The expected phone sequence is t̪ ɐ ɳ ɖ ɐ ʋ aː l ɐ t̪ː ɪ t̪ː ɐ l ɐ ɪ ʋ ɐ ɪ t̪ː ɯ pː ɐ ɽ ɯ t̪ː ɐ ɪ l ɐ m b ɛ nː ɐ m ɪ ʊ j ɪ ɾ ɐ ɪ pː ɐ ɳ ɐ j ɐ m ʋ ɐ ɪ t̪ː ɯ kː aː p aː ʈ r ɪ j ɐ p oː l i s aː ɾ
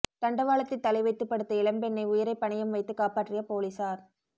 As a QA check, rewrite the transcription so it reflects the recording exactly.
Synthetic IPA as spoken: t̪ ɐ ɳ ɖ ɐ ʋ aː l ɐ t̪ː ɪ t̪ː ɐ l ɐ ɪ ʋ ɐ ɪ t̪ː ɯ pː ɐ ɽ ɯ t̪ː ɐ ɪ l ɐ m b ɛ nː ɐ ɪ ʊ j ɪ ɾ ɐ ɪ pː ɐ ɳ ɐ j ɐ m ʋ ɐ ɪ t̪ː ɯ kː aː p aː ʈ r ɪ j ɐ p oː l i s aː ɾ